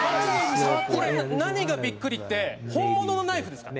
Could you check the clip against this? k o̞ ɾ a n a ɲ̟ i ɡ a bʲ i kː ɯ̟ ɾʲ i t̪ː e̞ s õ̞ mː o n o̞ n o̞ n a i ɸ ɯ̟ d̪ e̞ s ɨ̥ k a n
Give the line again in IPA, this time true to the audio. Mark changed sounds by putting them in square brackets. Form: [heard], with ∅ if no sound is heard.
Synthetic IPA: k o̞ ɾ [e] n a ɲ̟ i ɡ a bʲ i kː ɯ̟ ɾʲ i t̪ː e̞ [h] õ̞ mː o n o̞ n o̞ n a i ɸ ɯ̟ d̪ e̞ s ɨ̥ k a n